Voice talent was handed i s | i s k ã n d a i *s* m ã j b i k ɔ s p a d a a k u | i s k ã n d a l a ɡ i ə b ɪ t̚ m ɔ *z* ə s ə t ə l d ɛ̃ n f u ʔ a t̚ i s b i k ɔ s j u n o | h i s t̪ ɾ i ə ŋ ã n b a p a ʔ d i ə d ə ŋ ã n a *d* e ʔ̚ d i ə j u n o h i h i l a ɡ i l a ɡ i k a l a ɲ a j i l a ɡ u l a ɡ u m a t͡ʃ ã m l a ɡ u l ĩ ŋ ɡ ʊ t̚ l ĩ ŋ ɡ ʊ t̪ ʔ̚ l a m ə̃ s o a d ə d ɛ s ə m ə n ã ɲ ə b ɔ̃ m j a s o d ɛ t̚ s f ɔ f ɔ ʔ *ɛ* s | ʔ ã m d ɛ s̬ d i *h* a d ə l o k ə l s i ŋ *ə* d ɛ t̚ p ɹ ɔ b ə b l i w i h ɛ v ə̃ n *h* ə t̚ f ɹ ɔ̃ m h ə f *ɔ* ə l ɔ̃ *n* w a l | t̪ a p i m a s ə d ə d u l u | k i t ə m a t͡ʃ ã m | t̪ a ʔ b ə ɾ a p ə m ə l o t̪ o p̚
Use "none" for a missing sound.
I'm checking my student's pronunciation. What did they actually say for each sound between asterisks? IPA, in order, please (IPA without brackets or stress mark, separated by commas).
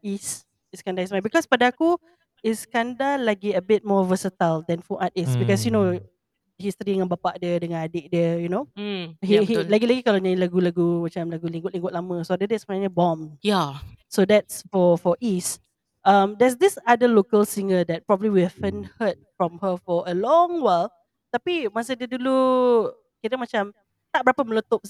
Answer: s, v, d, i, s, ə, h, ɔ, ŋ